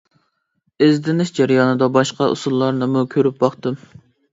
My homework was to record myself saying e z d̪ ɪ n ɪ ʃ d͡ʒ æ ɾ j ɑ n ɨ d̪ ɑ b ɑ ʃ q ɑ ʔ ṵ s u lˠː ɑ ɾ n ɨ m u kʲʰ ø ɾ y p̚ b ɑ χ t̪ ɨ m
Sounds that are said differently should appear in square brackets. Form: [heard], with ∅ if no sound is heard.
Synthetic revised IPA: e z d̪ ɪ n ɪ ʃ d͡ʒ æ ɾ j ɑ n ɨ d̪ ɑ b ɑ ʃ q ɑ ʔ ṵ s u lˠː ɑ ɾ n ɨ m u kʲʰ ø ɾ y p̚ b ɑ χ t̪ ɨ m